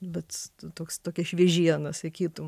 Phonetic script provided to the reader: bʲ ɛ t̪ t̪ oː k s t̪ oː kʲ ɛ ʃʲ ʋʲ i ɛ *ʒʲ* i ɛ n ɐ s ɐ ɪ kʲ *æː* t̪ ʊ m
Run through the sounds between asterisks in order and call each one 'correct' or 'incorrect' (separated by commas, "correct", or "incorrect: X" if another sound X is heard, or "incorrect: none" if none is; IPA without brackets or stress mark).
correct, incorrect: iː